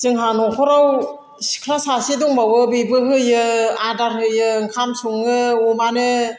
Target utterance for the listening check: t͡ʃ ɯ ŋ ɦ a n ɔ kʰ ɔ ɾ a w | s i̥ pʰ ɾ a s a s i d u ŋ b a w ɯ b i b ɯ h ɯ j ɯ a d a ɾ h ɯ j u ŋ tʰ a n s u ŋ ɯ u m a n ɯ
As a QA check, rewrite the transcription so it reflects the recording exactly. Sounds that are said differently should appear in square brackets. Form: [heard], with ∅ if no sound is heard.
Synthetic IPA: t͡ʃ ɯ ŋ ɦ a n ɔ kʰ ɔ ɾ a w | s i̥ [kʰ] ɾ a s a s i d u ŋ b a w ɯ b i b ɯ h ɯ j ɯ a d a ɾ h ɯ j [ɯ] ŋ [kʰ] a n s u ŋ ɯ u m a n ɯ